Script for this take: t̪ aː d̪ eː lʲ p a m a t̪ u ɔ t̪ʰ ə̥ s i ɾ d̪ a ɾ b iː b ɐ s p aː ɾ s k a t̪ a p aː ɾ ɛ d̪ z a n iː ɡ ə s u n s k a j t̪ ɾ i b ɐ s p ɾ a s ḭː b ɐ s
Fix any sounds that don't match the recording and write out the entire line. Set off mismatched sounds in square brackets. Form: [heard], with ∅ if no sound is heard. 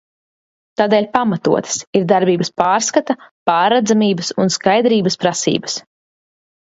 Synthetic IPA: t̪ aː d̪ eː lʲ p a m a t̪ u ɔ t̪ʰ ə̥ s i ɾ d̪ a ɾ b iː b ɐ s p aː ɾ s k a t̪ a p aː ɾ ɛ d̪ z a [m] iː [b] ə s u n s k a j [d̪] ɾ [iː] b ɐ s p ɾ a s ḭː b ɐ s